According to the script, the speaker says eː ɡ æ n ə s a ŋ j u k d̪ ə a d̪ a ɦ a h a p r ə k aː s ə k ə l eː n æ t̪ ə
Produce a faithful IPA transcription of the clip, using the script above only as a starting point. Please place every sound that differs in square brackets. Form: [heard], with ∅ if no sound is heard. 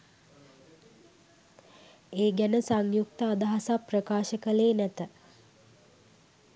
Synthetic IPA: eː ɡ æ n ə s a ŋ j u k [t̪] ə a d̪ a ɦ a [s] a p r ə k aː [ʃ] ə k ə l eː n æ t̪ ə